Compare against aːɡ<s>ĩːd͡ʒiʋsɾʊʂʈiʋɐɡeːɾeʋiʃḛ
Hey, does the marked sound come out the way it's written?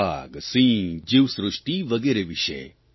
yes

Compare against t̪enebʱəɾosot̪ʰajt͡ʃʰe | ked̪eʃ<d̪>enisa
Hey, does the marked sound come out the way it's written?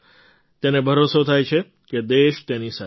no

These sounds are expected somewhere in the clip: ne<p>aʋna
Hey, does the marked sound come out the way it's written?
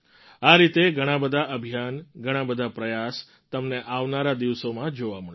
no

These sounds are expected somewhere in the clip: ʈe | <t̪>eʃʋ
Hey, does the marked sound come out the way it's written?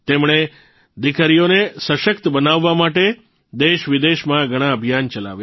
no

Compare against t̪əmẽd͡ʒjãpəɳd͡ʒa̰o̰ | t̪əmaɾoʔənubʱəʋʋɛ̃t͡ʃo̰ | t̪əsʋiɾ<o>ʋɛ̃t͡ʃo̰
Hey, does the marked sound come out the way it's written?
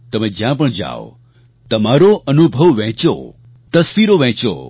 yes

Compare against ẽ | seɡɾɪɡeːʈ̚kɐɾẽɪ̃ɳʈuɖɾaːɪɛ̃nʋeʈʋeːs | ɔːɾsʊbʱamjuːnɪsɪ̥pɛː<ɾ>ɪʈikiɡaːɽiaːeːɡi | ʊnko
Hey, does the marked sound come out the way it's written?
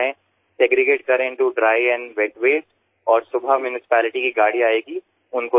no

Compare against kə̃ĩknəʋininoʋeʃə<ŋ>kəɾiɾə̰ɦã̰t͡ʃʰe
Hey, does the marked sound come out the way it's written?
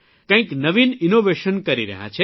no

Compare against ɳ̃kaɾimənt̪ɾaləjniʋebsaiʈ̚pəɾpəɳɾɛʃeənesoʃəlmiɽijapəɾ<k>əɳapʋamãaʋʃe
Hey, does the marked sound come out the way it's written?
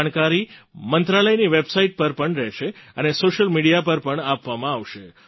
no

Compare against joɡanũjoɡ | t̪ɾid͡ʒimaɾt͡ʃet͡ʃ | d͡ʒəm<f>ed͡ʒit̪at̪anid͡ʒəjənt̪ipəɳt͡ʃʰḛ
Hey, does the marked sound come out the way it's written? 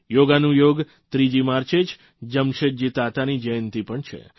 no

